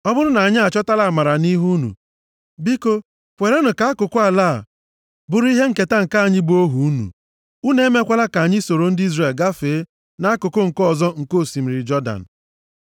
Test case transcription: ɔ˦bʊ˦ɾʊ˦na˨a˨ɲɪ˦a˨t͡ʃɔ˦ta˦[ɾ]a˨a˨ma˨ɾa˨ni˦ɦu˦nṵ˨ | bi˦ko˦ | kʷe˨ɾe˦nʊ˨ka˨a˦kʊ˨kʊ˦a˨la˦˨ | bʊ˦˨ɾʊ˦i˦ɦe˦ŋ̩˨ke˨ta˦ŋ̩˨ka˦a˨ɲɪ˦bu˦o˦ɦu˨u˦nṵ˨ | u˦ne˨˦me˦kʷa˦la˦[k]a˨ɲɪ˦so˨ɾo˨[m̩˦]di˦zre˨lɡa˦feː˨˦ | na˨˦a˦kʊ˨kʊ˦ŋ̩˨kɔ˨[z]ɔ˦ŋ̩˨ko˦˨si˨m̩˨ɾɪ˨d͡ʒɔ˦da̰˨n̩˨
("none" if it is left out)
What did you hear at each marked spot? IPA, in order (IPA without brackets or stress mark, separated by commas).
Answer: l, k, n̩˦, z